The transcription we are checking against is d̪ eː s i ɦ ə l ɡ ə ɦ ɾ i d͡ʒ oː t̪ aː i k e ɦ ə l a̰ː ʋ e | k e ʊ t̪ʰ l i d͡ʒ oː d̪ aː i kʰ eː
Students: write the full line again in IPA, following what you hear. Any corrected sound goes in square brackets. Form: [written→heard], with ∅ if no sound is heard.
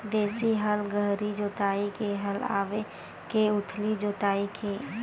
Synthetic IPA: d̪ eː s i ɦ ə l ɡ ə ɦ ɾ i d͡ʒ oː t̪ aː i k e ɦ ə l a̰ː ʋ e | k e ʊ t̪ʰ l i d͡ʒ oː [d̪→t̪] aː i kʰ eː